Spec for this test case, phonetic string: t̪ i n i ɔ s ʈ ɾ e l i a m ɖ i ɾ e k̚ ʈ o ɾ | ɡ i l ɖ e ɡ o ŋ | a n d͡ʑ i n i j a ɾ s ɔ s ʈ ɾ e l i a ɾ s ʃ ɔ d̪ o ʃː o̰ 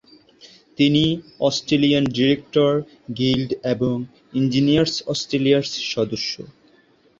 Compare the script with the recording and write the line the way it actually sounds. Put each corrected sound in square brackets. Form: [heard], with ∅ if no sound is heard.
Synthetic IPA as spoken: t̪ i n i ɔ s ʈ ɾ e l i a [n] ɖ i ɾ e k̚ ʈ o ɾ | ɡ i l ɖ e [b] o ŋ | [i] n d͡ʑ i n i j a ɾ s ɔ s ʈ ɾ e l i a ɾ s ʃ ɔ d̪ o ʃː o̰